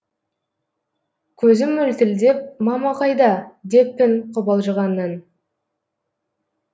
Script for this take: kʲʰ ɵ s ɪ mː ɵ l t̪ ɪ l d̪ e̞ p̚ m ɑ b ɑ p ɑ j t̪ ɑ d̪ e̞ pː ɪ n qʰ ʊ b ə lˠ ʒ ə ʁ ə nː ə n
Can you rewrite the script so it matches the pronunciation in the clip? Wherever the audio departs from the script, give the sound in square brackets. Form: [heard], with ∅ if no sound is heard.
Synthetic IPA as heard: kʲʰ ɵ [z] ɪ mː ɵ l t̪ ɪ l d̪ e̞ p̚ m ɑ [m] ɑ [q] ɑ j [d̪] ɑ d̪ e̞ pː ɪ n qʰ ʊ b [ɑ] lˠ ʒ ə ʁ [ɑ] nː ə n